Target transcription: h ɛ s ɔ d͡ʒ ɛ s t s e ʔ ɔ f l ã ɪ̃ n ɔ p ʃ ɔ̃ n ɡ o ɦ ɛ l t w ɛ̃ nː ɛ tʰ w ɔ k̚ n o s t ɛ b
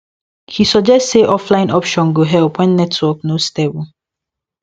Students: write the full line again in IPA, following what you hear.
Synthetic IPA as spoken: h i s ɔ d͡ʒ ɛ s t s e ʔ ɔ f l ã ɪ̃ n ɔ p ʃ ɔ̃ n ɡ o ɦ ɛ l p w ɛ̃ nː ɛ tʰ w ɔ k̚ n o s t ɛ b